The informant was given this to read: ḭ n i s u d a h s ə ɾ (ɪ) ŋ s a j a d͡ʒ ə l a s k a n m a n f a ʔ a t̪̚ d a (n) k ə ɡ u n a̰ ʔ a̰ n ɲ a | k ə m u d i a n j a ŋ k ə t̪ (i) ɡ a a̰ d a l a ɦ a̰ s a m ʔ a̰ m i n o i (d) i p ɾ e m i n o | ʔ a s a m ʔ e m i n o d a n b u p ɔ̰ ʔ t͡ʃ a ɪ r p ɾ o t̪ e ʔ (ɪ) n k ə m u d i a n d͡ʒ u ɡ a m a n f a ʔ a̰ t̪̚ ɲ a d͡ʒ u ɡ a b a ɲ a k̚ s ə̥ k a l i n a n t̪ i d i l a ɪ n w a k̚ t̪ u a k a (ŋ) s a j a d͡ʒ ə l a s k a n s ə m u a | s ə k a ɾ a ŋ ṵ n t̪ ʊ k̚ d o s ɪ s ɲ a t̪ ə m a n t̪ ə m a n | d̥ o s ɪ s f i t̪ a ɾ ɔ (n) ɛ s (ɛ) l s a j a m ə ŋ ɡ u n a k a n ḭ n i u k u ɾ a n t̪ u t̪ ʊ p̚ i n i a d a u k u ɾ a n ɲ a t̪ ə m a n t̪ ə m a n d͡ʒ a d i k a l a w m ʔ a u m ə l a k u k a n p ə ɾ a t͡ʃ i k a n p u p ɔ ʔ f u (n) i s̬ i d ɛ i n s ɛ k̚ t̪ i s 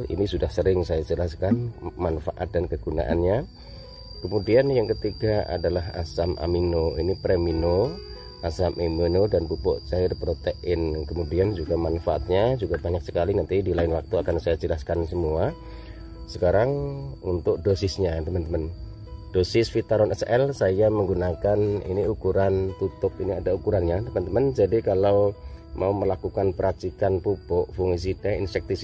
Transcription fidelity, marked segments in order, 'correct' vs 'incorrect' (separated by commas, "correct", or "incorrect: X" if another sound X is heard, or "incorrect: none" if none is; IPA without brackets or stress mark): correct, correct, correct, incorrect: n, correct, incorrect: n, correct, correct, incorrect: ŋ